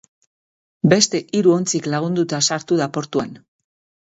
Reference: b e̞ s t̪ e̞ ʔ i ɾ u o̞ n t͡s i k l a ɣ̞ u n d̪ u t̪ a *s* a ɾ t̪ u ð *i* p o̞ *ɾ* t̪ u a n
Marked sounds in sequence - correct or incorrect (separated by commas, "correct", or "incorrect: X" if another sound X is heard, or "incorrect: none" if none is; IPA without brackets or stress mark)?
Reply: correct, incorrect: a, correct